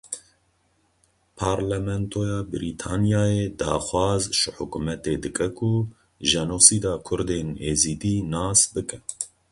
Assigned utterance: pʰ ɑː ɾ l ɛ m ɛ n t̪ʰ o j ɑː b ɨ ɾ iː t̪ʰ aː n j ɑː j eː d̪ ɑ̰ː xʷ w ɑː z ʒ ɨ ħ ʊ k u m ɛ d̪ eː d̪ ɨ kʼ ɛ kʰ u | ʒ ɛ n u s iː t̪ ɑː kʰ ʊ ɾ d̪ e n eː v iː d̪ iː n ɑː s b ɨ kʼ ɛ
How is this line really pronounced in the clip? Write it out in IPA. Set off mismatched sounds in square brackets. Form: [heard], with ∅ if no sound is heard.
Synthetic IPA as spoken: pʰ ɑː ɾ l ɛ m ɛ n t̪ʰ o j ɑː b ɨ ɾ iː t̪ʰ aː n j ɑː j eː d̪ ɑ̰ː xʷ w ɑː z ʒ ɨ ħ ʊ k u m ɛ [t̪] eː d̪ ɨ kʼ ɛ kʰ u | ʒ ɛ n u s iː [d̪] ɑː kʰ ʊ ɾ d̪ e n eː [z] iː d̪ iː n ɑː s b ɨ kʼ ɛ

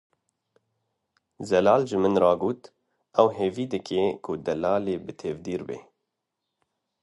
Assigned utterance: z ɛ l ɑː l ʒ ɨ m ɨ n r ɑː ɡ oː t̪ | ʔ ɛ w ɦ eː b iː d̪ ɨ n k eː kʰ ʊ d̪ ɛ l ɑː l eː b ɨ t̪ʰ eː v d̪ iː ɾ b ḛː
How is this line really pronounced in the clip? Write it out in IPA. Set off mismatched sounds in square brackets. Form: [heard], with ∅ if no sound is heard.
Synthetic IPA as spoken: z ɛ l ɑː l ʒ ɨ m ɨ n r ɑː ɡ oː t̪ | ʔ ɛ w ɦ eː [v] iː d̪ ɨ [∅] k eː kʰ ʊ d̪ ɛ l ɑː l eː b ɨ t̪ʰ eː v d̪ iː ɾ b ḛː

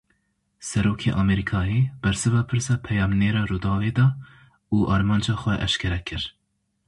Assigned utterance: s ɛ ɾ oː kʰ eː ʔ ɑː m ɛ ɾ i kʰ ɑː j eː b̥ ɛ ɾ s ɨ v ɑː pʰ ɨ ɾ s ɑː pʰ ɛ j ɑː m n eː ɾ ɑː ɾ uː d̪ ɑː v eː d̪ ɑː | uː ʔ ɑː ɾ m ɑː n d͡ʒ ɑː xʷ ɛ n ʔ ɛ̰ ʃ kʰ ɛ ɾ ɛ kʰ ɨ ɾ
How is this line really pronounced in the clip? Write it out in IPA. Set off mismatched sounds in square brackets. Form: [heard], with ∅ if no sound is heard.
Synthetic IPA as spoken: s ɛ ɾ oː kʰ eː ʔ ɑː m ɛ ɾ i kʰ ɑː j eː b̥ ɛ ɾ s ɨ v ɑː pʰ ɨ ɾ s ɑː pʰ ɛ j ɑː m n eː ɾ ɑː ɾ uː d̪ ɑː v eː d̪ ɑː | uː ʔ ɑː ɾ m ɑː n d͡ʒ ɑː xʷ ɛ [∅] ʔ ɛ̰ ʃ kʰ ɛ ɾ ɛ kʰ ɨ ɾ

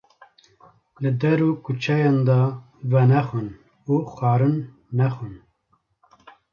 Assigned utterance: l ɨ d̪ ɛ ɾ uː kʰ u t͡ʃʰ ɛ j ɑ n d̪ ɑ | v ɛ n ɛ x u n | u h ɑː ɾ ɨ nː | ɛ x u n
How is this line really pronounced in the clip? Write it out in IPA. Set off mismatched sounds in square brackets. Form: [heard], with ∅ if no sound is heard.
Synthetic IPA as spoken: l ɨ d̪ ɛ ɾ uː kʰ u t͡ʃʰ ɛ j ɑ n d̪ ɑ | v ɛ n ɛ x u n | u [x] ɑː ɾ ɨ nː | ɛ x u n

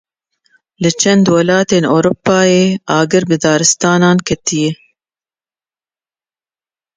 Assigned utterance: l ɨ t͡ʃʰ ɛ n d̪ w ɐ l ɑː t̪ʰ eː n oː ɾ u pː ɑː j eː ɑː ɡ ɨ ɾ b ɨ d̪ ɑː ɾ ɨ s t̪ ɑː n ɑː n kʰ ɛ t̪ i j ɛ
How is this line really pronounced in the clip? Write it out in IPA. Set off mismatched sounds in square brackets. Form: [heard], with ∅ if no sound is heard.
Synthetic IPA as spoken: l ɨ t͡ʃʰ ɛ n d̪ w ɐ l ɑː [t̪] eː n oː ɾ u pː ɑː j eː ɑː ɡ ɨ ɾ b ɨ d̪ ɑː ɾ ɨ s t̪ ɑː n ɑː n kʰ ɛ t̪ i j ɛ

